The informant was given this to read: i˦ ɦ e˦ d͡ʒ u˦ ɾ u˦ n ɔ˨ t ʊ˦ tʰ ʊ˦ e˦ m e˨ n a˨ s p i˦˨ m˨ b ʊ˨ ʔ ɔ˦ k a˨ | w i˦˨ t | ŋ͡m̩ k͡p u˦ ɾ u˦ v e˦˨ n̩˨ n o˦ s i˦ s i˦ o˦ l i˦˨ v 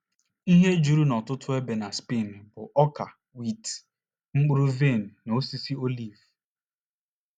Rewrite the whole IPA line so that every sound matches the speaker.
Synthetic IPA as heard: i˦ ɦ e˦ d͡ʒ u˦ ɾ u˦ n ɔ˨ t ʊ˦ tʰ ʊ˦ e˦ b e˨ n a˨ s p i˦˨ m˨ b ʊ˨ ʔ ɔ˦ k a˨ | w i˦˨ t | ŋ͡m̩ k͡p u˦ ɾ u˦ v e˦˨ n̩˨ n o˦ s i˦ s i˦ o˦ l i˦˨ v